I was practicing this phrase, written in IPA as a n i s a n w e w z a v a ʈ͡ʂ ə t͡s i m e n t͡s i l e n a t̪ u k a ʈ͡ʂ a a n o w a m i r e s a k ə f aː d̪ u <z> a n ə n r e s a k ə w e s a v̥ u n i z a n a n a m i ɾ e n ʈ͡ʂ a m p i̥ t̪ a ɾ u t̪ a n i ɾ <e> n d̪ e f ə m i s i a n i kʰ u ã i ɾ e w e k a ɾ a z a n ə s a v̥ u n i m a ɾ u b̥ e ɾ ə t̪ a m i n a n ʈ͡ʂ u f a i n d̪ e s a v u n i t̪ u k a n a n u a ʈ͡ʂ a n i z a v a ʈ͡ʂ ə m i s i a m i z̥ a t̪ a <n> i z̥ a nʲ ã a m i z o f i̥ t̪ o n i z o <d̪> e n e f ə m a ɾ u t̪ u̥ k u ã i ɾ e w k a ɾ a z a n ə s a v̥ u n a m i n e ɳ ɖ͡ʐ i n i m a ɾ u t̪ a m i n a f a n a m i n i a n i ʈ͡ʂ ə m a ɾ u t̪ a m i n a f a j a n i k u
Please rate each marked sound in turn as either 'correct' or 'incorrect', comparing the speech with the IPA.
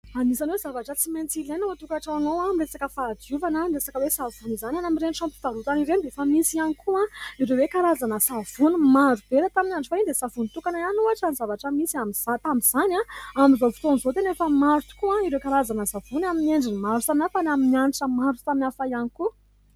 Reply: incorrect: v, correct, incorrect: m, incorrect: t̪

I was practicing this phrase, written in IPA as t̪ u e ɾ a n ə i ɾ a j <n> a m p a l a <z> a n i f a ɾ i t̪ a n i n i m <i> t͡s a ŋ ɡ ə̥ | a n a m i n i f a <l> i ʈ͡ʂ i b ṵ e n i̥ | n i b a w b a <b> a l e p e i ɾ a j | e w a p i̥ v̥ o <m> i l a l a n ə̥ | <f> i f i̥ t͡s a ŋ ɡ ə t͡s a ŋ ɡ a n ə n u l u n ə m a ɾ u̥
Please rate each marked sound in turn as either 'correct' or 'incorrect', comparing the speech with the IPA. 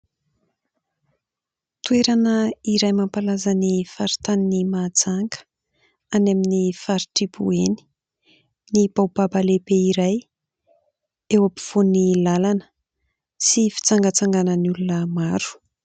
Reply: incorrect: m, correct, incorrect: a, incorrect: ɾ, correct, incorrect: n, incorrect: s

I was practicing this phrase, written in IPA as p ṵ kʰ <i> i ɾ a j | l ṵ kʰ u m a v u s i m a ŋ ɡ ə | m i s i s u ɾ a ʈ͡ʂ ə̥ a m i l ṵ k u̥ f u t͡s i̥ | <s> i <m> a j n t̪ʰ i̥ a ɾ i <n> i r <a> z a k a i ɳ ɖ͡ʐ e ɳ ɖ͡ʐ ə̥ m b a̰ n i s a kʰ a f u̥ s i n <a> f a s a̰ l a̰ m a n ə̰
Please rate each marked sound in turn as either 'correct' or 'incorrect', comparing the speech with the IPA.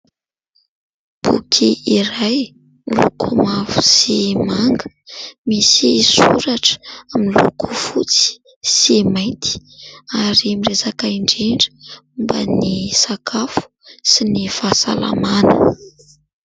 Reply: correct, correct, correct, incorrect: m, incorrect: e, incorrect: i

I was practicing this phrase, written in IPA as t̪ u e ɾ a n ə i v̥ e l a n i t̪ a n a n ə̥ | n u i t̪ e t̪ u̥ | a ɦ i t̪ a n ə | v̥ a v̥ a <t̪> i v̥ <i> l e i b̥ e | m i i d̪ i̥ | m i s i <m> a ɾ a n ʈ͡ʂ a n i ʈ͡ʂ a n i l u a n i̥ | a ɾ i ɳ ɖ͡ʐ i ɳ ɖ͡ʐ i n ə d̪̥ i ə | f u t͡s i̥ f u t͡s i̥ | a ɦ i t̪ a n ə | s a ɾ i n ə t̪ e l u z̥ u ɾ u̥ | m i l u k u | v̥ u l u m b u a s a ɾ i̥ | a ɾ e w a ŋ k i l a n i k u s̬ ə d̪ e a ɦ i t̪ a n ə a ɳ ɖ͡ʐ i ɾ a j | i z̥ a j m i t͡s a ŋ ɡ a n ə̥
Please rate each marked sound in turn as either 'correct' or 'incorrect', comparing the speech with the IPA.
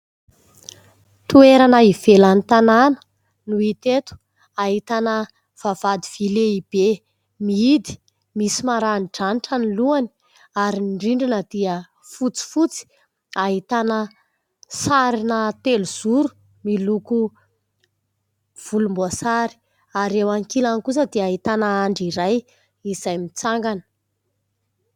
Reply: incorrect: d̪, correct, correct

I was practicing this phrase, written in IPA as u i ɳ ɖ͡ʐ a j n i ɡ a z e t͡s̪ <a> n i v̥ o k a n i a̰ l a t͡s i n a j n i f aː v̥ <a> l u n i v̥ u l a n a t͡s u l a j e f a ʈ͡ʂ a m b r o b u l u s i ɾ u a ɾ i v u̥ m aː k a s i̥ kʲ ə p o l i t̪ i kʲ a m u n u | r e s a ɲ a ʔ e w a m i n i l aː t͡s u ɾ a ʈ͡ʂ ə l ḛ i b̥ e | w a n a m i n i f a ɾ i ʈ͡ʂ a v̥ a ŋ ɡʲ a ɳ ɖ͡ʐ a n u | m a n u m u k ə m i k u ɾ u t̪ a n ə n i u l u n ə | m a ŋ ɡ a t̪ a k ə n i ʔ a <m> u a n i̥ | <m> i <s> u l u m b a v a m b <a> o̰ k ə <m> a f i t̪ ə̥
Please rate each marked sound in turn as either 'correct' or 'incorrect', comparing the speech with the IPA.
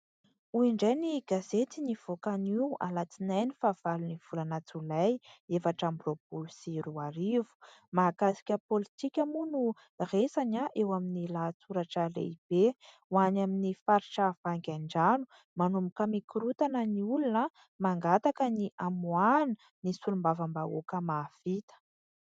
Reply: incorrect: i, correct, correct, incorrect: n, correct, correct, correct

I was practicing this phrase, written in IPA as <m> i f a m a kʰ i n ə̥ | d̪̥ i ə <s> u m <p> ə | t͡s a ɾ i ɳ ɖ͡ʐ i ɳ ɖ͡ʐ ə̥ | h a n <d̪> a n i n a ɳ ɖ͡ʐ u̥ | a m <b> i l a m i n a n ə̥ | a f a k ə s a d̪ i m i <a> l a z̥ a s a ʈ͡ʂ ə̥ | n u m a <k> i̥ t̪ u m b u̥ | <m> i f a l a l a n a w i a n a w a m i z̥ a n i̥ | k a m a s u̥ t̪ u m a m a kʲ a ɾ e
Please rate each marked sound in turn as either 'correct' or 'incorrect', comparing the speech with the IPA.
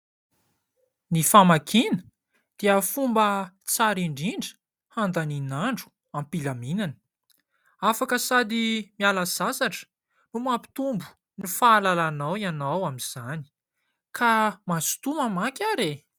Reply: incorrect: n, incorrect: f, incorrect: b, correct, incorrect: p, correct, incorrect: p, incorrect: n

